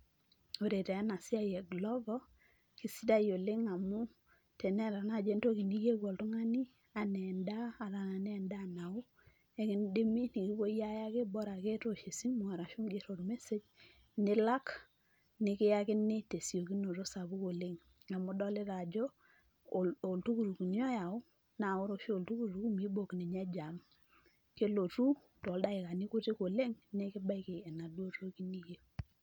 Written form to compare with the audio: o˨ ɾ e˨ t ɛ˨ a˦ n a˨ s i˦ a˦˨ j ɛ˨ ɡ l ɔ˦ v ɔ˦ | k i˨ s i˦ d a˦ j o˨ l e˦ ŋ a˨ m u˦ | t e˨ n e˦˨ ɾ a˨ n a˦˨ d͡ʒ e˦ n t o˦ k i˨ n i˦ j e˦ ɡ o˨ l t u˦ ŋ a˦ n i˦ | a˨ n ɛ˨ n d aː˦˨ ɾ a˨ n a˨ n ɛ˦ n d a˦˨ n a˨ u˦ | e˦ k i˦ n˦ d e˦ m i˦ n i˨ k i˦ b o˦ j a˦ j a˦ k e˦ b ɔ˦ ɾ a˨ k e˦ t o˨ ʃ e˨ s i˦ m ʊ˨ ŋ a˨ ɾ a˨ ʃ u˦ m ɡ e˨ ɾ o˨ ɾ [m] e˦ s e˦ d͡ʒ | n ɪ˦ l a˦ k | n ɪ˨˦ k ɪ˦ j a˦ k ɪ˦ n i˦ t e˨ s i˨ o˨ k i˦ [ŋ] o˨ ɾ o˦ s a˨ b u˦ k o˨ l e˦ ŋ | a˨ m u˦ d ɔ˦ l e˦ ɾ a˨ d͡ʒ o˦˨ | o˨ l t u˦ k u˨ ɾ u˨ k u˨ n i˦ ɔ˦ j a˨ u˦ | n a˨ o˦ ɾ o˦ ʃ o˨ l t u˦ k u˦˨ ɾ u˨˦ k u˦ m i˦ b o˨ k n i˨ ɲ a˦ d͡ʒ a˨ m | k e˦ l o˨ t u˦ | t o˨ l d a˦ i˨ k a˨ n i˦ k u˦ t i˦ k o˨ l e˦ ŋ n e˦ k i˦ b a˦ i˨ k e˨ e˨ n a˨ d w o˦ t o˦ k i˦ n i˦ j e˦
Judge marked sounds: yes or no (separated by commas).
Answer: yes, no